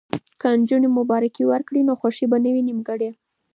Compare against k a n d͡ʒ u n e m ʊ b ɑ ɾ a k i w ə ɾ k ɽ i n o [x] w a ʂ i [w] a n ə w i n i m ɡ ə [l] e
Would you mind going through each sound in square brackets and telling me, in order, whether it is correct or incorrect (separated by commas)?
correct, incorrect, incorrect